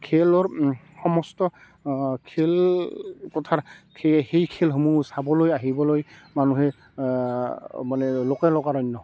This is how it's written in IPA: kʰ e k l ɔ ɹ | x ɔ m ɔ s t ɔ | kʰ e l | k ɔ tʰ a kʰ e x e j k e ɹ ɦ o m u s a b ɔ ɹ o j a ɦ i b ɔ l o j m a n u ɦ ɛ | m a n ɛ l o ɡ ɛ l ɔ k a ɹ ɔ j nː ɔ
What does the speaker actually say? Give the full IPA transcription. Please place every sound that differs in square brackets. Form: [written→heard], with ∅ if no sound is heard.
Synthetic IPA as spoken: kʰ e [k→∅] l ɔ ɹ | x ɔ m ɔ s t ɔ | kʰ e l | k ɔ tʰ a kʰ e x e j [k→kʰ] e [ɹ→l] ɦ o m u s a b ɔ [ɹ→l] o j a ɦ i b ɔ l o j m a n u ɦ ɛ | m a n ɛ l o [ɡ→k] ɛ l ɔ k a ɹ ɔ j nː ɔ